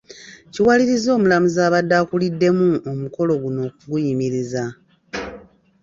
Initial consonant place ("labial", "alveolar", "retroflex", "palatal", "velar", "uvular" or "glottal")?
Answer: palatal